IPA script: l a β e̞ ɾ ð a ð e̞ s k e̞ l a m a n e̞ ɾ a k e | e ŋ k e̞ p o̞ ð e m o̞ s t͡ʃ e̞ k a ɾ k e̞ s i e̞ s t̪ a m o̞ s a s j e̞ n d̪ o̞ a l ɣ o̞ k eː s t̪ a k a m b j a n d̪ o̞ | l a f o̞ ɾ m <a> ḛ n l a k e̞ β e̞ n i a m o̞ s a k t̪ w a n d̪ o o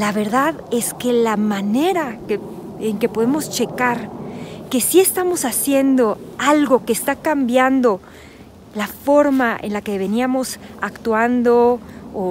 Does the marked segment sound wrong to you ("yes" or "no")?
no